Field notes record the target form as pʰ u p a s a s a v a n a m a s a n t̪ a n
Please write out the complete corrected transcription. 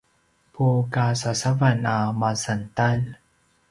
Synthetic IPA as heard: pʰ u k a s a s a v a n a m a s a n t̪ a n